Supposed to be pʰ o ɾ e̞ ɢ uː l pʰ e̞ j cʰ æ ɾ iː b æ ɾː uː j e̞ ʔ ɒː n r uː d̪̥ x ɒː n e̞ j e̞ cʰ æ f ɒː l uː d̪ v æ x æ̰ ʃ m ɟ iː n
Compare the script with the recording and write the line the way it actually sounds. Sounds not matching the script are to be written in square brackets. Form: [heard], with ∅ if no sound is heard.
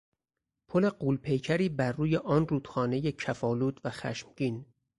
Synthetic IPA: pʰ o [l] e̞ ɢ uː l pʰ e̞ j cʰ æ ɾ iː b æ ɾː uː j e̞ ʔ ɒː n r uː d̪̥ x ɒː n e̞ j e̞ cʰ æ f ɒː l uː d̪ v æ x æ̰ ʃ m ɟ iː n